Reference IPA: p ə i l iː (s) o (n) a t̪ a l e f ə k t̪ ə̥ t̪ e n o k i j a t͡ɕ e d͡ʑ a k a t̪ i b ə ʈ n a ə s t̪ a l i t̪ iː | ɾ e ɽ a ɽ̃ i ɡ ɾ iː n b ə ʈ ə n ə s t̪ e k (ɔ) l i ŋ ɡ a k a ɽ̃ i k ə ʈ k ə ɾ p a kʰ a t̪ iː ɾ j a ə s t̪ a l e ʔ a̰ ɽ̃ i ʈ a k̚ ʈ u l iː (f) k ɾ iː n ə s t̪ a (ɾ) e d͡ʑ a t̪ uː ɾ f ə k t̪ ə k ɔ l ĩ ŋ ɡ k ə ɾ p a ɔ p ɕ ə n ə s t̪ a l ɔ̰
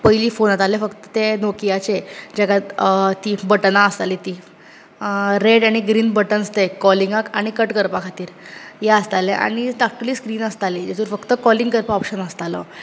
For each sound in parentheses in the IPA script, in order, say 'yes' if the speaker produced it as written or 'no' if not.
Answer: no, yes, yes, no, no

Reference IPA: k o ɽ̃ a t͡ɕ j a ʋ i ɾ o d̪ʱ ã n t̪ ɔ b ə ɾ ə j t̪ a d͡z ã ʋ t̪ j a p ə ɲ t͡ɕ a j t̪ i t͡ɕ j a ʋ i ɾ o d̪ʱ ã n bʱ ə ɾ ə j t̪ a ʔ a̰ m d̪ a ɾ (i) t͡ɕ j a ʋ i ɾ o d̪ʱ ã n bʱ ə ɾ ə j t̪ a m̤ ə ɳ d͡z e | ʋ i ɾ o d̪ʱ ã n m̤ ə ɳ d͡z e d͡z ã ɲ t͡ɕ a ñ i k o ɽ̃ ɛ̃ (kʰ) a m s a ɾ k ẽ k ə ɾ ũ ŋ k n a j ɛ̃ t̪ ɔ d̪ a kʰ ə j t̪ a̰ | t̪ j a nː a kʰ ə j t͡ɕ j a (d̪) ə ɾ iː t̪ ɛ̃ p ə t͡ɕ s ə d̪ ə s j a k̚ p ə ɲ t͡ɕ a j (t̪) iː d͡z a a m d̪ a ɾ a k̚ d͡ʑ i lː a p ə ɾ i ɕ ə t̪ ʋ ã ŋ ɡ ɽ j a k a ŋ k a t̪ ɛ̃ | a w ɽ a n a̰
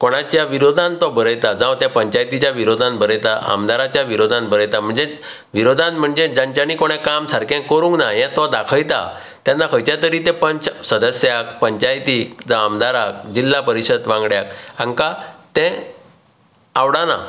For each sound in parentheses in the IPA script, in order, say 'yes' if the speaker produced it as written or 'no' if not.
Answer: no, no, no, yes

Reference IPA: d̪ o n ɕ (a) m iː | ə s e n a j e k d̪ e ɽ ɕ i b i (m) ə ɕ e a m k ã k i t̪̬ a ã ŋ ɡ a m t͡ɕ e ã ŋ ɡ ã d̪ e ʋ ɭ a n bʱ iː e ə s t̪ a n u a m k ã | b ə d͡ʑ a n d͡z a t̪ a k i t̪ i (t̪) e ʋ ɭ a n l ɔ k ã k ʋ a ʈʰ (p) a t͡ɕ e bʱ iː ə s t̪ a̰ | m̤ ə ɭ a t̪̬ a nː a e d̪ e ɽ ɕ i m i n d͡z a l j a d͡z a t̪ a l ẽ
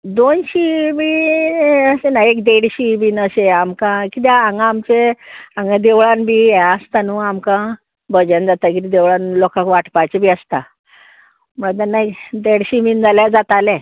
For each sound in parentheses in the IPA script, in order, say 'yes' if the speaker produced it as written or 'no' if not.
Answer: no, no, no, yes

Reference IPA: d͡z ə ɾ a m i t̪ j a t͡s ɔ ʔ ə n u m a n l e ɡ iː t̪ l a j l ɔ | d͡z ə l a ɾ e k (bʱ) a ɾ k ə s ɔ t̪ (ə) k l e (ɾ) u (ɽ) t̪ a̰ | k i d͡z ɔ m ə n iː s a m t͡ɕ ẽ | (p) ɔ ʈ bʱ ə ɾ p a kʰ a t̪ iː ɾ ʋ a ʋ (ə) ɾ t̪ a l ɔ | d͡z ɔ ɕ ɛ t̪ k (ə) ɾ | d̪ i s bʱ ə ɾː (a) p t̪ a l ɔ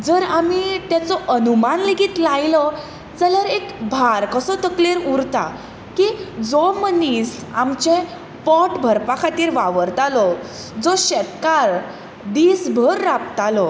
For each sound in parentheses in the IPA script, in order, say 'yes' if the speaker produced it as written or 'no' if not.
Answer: yes, yes, yes, no, yes, yes, no, yes

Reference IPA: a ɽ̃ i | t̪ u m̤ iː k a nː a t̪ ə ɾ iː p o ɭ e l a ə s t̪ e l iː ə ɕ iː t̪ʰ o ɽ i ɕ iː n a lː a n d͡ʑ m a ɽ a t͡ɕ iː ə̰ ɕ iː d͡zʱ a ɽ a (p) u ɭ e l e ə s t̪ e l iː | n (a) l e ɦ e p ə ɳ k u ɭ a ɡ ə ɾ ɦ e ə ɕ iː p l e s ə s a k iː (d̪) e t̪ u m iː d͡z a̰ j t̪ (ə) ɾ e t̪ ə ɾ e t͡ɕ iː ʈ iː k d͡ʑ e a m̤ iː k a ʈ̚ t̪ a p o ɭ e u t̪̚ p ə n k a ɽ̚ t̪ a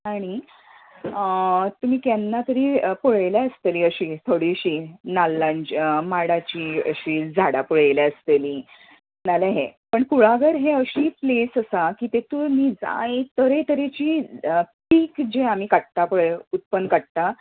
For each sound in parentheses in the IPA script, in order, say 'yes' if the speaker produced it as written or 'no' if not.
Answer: yes, yes, no, yes

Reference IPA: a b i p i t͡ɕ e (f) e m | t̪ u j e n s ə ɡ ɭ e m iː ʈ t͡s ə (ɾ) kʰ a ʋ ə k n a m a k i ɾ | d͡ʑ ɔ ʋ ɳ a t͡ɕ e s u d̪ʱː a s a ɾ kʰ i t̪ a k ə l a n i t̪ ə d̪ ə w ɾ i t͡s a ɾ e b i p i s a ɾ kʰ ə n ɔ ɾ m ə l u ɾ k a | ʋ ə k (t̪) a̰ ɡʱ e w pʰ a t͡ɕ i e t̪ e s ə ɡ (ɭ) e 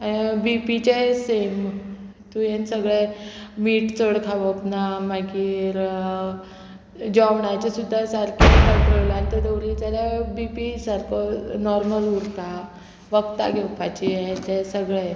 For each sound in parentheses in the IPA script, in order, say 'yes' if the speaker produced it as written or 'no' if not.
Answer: no, no, yes, yes

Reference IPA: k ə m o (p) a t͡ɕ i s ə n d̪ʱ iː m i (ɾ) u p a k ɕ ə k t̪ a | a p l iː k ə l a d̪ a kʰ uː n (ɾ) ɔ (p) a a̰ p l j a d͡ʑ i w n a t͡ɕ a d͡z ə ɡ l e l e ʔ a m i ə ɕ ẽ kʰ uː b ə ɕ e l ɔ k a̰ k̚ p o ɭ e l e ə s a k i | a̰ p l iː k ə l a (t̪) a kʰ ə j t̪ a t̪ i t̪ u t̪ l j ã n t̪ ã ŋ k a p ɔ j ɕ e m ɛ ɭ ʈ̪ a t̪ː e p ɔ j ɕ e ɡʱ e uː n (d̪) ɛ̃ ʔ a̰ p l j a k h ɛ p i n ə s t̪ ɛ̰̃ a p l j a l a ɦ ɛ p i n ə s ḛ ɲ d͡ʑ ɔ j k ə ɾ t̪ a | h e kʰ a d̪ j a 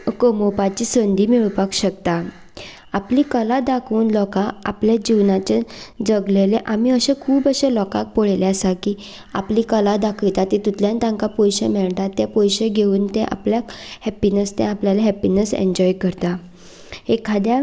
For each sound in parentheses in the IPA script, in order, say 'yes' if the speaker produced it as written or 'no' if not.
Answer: yes, no, no, no, no, no

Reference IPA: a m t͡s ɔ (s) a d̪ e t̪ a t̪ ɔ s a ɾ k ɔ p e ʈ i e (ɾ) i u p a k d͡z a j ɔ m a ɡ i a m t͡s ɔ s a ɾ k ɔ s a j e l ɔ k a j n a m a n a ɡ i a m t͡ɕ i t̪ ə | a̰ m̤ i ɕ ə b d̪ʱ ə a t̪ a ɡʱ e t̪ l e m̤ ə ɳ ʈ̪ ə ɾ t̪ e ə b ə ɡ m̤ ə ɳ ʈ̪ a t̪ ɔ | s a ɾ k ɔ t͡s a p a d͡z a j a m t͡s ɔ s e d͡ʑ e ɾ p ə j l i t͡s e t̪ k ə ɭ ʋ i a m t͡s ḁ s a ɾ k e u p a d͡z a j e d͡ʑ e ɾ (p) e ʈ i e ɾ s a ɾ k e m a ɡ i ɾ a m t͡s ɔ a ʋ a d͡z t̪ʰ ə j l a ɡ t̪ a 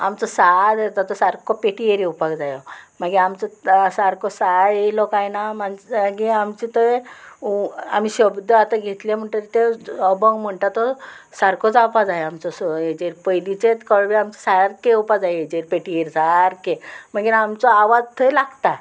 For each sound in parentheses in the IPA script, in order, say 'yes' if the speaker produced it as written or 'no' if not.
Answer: yes, yes, yes

